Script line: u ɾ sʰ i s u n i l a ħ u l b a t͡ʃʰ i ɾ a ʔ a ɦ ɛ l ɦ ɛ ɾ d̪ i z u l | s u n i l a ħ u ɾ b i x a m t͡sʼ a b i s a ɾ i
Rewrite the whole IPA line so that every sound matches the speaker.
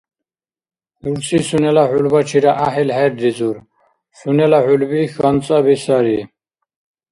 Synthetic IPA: u ɾ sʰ i s u n ɛ l a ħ u l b a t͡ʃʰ i ɾ a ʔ a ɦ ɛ l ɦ ɛ ɾ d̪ i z u ɾ | s u n ɛ l a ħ u l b i x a n t͡sʼ a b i s a ɾ i